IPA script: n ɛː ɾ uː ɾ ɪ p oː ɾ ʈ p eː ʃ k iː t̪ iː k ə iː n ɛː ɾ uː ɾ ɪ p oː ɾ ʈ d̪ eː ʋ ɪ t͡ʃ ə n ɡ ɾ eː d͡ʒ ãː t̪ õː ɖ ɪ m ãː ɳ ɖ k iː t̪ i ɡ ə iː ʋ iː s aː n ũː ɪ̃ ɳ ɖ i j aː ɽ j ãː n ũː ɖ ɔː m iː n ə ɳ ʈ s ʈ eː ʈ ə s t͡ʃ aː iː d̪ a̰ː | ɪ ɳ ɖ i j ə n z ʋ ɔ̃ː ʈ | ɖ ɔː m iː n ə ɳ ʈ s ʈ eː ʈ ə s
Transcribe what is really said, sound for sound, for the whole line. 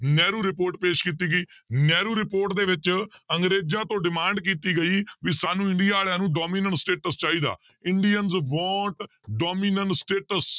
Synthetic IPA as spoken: n ɛː ɾ uː ɾ ɪ p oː ɾ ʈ p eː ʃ k iː t̪ iː ɡ ə iː n ɛː ɾ uː ɾ ɪ p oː ɾ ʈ d̪ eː ʋ ɪ t͡ʃ ə ŋ ɡ ɾ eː d͡ʒ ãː t̪ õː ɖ ɪ m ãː ɳ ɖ k iː t̪ iː ɡ ə iː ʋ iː s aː n ũː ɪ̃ ɳ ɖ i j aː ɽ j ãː n ũː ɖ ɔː m iː n ə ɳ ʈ s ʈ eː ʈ ə s t͡ʃ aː iː d̪ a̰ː | ɪ ɳ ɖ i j ə n z ʋ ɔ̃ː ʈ | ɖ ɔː m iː n ə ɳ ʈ s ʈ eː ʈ ə s

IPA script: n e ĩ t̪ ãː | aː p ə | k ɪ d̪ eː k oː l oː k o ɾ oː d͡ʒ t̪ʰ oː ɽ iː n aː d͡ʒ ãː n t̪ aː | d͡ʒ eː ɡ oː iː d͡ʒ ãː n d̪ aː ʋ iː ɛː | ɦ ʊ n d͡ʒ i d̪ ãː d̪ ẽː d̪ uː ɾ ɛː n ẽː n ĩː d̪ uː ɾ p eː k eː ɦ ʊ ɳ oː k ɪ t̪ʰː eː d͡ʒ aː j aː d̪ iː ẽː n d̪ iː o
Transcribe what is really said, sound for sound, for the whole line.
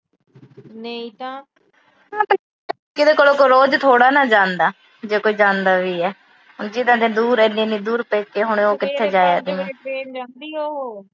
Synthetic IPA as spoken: n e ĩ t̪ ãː | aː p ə | k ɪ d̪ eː k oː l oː k o ɾ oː d͡ʒ t̪ʰ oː ɽ aː n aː d͡ʒ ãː n d̪ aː | d͡ʒ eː k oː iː d͡ʒ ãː n d̪ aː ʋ iː ɛː | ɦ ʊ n d͡ʒ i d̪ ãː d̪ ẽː d̪ uː ɾ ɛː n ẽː n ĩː d̪ uː ɾ p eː k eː ɦ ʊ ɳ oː k ɪ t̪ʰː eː d͡ʒ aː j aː d̪ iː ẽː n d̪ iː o

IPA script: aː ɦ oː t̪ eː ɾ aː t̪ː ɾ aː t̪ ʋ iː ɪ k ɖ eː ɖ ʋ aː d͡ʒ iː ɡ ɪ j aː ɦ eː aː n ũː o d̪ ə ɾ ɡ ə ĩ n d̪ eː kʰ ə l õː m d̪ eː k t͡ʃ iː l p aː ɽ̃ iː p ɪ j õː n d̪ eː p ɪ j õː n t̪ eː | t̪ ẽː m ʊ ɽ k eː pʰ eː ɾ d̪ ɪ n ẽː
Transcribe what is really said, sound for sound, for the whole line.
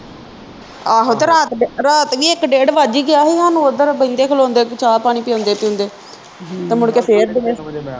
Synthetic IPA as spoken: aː ɦ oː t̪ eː ɾ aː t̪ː ɾ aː t̪ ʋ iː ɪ k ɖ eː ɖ ʋ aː d͡ʒ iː ɡ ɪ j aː ɦ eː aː n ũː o d̪ ə ɾ b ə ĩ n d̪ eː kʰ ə l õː n d̪ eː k t͡ʃ aː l p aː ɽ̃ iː p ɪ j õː n d̪ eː p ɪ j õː n d̪ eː | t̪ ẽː m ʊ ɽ k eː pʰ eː ɾ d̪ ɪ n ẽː

